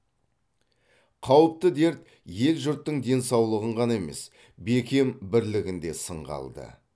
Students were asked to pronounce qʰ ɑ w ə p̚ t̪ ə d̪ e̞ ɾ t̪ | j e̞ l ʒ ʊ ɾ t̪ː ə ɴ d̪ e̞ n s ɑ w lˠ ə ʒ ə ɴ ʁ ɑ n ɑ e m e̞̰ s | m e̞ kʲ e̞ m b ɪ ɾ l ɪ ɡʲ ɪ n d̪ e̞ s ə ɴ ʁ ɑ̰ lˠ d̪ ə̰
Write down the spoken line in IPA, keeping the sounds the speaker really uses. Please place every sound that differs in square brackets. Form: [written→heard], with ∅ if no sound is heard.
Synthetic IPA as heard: qʰ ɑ w ə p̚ t̪ ə d̪ e̞ ɾ t̪ | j e̞ l ʒ ʊ ɾ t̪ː ə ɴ d̪ e̞ n s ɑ w lˠ ə [ʒ→ʁ] ə ɴ ʁ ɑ n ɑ e m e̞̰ s | [m→b] e̞ kʲ e̞ m b ɪ ɾ l ɪ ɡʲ ɪ n d̪ e̞ s ə ɴ ʁ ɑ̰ lˠ d̪ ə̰